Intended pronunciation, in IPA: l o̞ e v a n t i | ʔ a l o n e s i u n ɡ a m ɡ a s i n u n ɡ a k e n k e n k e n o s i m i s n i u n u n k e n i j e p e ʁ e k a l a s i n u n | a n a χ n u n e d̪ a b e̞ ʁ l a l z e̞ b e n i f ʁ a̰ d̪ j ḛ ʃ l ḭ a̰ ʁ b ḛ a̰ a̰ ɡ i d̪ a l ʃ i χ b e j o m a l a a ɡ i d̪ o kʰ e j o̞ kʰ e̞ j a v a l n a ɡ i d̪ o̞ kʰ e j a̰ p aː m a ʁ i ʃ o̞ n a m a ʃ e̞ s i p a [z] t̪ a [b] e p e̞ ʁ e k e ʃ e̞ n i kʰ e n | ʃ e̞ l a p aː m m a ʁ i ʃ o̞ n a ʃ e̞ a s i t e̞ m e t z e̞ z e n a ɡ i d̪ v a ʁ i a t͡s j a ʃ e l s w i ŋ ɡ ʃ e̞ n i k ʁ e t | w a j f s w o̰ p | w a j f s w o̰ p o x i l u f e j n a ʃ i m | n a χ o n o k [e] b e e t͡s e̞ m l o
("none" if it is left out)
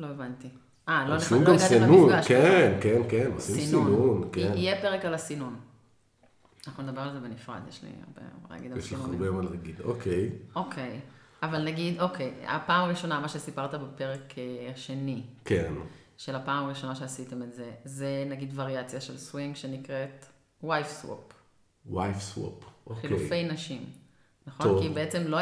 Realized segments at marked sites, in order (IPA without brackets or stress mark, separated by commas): ʁ, b, i